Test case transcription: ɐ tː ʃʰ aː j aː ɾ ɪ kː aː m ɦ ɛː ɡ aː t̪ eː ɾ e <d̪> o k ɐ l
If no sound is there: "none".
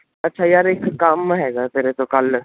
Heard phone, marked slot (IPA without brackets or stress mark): t̪